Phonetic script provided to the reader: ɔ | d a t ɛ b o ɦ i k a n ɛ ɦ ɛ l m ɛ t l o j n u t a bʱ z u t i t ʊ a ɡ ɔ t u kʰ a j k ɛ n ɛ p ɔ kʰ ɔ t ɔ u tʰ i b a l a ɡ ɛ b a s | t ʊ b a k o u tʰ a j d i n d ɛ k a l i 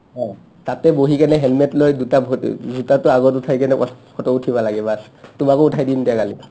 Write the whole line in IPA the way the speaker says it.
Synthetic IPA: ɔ | t a t ɛ b o ɦ i k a n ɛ ɦ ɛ l m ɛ t l o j d u t a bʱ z u t a t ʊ a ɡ ɔ t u tʰ a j k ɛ n ɛ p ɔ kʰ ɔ t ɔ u tʰ i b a l a ɡ ɛ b a s | t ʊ m a k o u tʰ a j d i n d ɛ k a l i